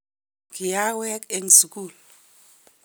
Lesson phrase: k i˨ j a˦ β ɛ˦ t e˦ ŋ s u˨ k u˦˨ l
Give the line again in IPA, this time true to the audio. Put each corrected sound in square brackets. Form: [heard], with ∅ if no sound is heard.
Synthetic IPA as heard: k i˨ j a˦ [w] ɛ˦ [k] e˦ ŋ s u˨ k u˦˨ l